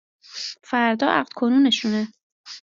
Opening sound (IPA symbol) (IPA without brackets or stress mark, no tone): f